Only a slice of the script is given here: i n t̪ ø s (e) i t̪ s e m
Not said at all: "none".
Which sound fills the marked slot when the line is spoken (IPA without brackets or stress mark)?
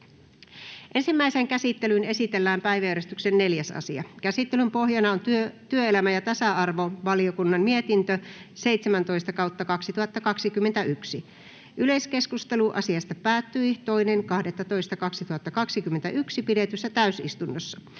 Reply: e